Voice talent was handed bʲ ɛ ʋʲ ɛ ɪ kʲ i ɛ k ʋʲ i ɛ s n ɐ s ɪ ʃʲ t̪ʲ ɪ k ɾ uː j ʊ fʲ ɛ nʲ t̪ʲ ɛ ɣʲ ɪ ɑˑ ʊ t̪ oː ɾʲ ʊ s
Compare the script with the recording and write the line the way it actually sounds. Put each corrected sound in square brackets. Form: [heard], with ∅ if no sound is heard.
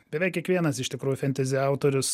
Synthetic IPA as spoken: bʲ ɛ ʋʲ ɛ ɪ kʲ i ɛ k ʋʲ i ɛ [∅] n ɐ s ɪ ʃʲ t̪ʲ ɪ k ɾ uː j ʊ fʲ ɛ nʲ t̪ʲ ɛ [zʲ] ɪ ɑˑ ʊ t̪ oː ɾʲ ʊ s

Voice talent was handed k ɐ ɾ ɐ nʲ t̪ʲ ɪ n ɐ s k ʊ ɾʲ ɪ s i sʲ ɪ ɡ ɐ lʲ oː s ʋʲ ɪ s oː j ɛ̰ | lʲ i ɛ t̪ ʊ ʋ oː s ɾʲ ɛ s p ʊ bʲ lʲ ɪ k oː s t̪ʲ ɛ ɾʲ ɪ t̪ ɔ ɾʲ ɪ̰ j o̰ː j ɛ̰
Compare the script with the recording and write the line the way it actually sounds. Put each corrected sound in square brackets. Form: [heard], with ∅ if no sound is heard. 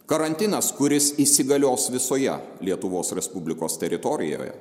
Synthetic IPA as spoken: k ɐ ɾ ɐ nʲ t̪ʲ ɪ n ɐ s k ʊ ɾʲ ɪ s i sʲ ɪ ɡ ɐ lʲ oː s ʋʲ ɪ s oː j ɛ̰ | lʲ i ɛ t̪ ʊ ʋ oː s ɾʲ ɛ s p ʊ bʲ lʲ ɪ k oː s t̪ʲ ɛ ɾʲ ɪ t̪ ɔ ɾʲ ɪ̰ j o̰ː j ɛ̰

